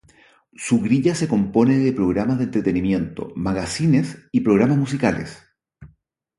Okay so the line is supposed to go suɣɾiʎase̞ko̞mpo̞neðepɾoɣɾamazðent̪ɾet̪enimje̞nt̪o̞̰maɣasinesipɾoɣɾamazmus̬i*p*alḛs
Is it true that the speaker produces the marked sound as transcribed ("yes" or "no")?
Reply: no